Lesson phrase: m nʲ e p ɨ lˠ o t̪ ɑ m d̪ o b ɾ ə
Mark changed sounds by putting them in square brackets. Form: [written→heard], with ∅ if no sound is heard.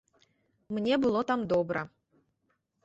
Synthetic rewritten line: m nʲ e [p→b] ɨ lˠ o t̪ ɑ m d̪ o b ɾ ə

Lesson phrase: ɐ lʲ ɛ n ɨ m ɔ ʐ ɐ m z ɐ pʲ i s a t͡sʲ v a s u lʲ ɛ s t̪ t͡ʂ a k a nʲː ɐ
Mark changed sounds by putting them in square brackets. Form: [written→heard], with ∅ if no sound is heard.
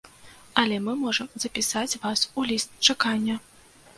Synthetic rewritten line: ɐ lʲ ɛ [n→m] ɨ m ɔ ʐ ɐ m z ɐ pʲ i s a t͡sʲ v a s u lʲ [ɛ→i] s t̪ t͡ʂ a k a nʲː ɐ

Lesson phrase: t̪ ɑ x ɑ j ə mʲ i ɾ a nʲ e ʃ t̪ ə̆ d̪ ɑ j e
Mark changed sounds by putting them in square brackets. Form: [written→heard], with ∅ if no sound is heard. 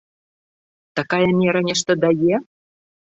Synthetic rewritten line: t̪ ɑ [x→k] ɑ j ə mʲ [i→e] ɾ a nʲ e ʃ t̪ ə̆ d̪ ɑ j e

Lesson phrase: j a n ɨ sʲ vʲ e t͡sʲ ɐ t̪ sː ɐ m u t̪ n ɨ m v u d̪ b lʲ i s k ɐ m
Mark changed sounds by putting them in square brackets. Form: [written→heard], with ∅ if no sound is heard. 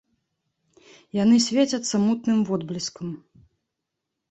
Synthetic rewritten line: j a n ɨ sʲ vʲ e t͡sʲ ɐ t̪ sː ɐ m u t̪ n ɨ m v [u→ɔ] d̪ b lʲ i s k ɐ m

